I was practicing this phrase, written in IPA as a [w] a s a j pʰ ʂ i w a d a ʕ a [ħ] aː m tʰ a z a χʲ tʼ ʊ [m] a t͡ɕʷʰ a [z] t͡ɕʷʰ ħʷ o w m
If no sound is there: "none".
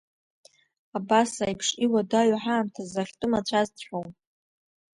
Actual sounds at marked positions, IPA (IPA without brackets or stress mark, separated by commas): b, ħ, m, z